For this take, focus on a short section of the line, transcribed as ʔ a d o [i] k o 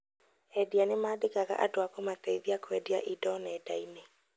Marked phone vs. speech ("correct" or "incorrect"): incorrect